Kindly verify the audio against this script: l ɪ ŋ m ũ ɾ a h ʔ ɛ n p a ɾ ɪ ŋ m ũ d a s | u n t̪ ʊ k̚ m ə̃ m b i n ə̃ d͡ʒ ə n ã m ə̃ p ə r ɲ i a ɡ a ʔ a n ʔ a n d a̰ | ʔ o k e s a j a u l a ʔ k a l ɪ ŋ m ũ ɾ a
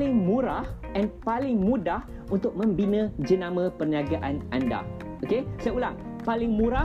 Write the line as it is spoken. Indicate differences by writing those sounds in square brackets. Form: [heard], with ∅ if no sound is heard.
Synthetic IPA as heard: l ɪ ŋ m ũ ɾ a h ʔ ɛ n p a [l] ɪ ŋ m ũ d a [h] | u n t̪ ʊ k̚ m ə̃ m b i n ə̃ d͡ʒ ə n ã m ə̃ p ə r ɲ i a ɡ a ʔ a n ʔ a n d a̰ | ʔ o k e s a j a u l a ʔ [p] a l ɪ ŋ m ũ ɾ a